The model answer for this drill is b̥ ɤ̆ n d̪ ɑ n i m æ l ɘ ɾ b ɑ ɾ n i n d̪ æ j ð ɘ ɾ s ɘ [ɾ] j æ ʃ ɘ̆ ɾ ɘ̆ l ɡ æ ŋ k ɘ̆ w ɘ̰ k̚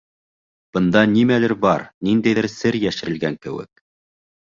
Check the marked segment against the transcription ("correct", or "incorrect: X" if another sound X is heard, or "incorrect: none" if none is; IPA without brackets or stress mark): correct